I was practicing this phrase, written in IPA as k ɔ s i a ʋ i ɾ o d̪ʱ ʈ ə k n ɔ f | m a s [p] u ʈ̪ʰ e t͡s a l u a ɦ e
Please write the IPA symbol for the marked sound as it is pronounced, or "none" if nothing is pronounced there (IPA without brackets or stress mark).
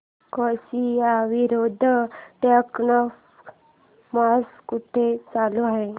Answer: k